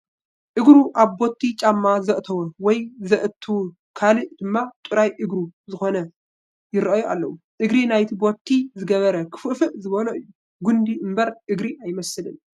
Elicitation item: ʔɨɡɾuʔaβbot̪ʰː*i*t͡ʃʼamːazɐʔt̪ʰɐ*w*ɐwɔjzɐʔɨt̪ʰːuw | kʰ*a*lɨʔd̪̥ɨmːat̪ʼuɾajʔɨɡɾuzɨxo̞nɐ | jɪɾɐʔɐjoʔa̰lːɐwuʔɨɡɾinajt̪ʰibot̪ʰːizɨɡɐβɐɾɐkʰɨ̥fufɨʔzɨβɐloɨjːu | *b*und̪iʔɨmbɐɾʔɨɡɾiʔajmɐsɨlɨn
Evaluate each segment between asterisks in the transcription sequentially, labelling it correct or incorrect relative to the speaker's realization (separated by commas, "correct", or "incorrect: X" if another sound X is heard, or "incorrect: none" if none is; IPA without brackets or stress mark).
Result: correct, correct, correct, incorrect: ɡ